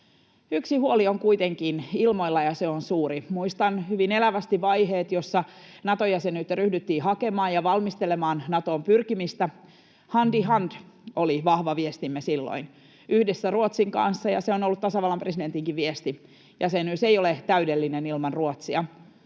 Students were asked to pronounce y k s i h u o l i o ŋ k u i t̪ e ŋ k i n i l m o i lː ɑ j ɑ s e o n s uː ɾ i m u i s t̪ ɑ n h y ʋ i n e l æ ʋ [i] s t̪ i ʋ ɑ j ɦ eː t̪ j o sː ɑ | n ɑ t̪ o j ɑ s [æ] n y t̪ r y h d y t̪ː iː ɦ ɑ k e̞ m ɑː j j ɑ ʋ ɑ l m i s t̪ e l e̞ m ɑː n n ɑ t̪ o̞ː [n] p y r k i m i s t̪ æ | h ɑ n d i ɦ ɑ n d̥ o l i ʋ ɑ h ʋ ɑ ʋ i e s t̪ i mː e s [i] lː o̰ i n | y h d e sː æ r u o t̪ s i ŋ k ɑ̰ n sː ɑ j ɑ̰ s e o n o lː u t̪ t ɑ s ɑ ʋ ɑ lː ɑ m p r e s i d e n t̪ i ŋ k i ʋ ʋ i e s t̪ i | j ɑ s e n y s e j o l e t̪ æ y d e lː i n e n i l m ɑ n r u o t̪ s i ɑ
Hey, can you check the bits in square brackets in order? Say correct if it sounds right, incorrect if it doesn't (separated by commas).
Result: incorrect, incorrect, incorrect, correct